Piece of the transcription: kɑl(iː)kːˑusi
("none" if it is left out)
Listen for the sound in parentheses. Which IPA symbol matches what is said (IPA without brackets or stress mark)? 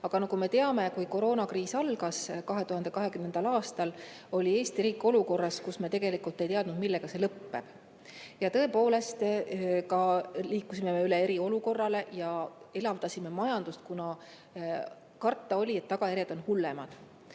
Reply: iː